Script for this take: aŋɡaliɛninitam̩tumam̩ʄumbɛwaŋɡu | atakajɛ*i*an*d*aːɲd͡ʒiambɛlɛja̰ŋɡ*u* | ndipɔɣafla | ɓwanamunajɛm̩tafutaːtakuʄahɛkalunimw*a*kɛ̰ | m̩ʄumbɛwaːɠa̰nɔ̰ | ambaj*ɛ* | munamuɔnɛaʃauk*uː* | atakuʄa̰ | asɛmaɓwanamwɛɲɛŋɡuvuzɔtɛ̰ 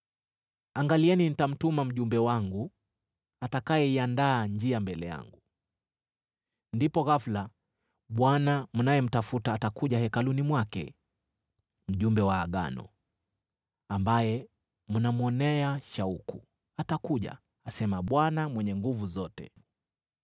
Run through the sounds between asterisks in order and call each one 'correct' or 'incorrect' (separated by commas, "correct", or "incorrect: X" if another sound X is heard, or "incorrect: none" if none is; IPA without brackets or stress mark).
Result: correct, correct, correct, correct, correct, incorrect: u